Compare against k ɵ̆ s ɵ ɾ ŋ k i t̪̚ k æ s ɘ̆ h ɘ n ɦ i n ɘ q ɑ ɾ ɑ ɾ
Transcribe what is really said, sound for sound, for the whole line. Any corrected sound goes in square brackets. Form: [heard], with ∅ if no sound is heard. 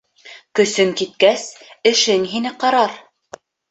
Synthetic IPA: k ɵ̆ s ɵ [∅] ŋ k i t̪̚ k æ s ɘ̆ [ʃ] ɘ [ŋ] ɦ i n ɘ q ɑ ɾ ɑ ɾ